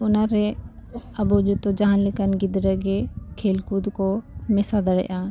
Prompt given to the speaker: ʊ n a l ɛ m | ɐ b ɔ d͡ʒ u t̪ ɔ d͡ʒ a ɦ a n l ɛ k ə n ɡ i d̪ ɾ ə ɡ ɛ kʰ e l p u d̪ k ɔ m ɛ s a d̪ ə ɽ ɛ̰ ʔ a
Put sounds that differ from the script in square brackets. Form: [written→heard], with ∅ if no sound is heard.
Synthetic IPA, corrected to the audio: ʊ n a [l→ɾ] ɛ [m→∅] | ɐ b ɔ d͡ʒ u t̪ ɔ d͡ʒ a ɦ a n l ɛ k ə n ɡ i d̪ ɾ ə ɡ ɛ kʰ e l [p→k] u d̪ k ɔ m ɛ s a d̪ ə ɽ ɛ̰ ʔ a